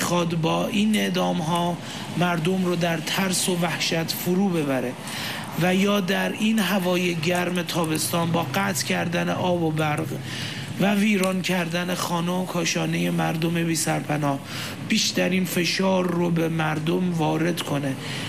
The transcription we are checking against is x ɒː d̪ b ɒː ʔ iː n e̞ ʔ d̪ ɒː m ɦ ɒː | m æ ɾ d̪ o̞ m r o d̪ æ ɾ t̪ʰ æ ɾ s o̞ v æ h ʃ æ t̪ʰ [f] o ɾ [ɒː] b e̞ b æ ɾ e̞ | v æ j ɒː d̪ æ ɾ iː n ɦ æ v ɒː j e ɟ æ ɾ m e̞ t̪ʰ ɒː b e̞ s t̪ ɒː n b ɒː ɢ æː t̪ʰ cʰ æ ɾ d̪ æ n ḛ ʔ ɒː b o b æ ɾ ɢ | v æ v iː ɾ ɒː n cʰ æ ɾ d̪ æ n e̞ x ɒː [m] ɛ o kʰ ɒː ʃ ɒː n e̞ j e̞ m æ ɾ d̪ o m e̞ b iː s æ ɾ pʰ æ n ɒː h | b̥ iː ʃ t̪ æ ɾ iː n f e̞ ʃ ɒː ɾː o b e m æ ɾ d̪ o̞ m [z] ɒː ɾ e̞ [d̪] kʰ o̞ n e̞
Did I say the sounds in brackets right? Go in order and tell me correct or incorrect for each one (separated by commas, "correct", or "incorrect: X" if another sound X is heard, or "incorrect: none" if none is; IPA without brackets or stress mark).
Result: correct, incorrect: uː, incorrect: n, incorrect: v, correct